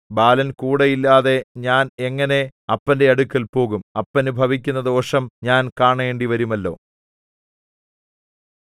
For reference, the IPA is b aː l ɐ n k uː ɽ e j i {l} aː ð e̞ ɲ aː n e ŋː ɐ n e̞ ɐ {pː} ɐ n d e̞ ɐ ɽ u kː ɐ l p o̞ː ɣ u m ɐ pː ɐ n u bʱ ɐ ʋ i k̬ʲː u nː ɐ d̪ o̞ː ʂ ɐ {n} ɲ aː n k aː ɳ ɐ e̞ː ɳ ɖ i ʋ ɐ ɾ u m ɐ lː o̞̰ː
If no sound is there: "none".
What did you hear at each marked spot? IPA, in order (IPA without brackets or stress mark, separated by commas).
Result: lː, pː, m